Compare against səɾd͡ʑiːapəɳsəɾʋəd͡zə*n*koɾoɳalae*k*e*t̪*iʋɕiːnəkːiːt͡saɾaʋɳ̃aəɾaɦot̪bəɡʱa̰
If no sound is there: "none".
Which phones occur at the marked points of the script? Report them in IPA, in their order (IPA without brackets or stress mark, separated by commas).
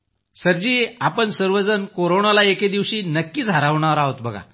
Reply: n, k, d̪